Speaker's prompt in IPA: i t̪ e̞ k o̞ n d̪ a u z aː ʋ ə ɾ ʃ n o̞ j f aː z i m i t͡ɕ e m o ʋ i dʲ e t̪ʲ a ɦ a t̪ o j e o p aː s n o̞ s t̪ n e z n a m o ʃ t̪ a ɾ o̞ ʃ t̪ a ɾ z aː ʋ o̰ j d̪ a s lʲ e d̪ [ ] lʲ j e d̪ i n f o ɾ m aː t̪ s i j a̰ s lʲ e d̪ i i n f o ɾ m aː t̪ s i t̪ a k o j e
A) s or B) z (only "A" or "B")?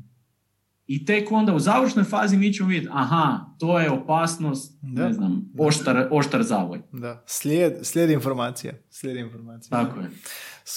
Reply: A